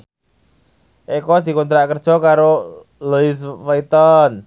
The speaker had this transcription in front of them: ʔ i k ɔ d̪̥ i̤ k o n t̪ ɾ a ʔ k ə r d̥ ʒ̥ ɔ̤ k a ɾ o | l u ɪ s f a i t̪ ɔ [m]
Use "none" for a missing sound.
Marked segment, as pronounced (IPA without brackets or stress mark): n